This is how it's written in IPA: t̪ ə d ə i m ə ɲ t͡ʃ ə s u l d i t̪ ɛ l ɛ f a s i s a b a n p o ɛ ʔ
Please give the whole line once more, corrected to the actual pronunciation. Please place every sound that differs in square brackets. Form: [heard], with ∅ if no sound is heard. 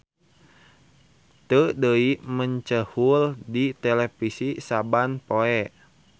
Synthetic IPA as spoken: t̪ ə d ə i m ə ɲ t͡ʃ ə [h] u l d i t̪ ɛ l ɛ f [i] s i s a b a n p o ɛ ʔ